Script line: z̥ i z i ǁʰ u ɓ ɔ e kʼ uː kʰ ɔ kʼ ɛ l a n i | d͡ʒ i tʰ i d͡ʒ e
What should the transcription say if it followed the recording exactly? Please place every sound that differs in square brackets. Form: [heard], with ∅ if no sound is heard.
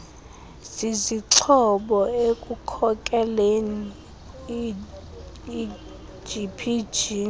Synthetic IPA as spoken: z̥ i z i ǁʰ [ɔ] ɓ ɔ e kʼ [u] kʰ ɔ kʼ ɛ l [e] n i | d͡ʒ i [pʰ] i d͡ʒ [i]